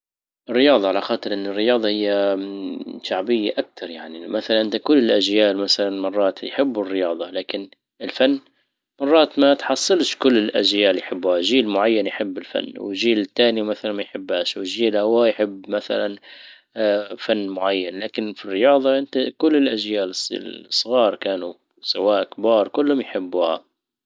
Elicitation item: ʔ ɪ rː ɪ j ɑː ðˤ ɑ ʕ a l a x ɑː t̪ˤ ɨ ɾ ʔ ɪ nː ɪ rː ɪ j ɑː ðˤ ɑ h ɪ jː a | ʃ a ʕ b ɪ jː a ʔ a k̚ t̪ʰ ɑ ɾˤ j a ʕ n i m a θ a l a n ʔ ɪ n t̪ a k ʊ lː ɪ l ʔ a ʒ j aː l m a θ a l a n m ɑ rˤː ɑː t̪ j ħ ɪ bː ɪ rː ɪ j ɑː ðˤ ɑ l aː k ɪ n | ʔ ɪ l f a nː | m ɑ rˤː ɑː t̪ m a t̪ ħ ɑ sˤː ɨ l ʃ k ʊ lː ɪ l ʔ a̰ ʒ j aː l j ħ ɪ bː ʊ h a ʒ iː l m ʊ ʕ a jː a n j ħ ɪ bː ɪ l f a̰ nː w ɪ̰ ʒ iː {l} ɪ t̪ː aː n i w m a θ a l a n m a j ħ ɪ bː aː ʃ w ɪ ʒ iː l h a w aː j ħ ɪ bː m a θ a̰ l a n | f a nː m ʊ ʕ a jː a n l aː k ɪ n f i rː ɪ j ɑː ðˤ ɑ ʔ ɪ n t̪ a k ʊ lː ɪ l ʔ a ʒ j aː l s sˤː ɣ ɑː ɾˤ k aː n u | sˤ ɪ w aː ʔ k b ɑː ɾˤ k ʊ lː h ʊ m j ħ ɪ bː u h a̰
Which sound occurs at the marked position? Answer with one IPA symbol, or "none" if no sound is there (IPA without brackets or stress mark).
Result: l